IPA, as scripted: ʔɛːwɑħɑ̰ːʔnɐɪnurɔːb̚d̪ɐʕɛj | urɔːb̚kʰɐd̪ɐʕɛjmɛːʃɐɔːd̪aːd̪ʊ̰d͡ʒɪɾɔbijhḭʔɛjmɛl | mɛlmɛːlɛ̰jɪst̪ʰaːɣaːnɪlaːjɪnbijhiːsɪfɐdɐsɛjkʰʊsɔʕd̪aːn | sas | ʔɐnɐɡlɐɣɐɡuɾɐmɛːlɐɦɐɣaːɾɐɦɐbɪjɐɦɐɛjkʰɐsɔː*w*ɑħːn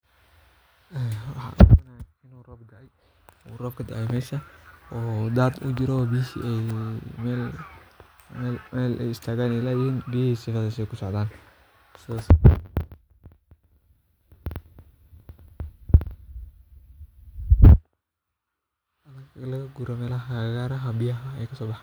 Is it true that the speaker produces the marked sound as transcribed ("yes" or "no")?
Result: no